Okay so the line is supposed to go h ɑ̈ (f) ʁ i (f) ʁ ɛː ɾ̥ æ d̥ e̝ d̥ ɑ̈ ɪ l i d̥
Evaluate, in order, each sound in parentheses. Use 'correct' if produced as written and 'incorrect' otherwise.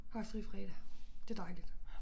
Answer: incorrect, correct

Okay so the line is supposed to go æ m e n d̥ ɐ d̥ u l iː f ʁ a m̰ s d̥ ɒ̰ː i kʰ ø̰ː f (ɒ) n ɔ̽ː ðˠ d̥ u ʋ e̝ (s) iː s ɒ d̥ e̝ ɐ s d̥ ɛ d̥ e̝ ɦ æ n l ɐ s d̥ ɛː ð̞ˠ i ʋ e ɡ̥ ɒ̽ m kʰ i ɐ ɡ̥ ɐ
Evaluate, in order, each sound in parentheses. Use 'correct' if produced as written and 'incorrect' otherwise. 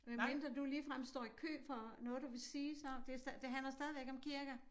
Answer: correct, correct

